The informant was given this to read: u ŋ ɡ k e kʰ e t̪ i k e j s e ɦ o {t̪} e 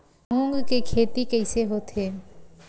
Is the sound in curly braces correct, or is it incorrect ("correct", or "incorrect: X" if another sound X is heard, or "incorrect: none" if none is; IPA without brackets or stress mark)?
incorrect: t̪ʰ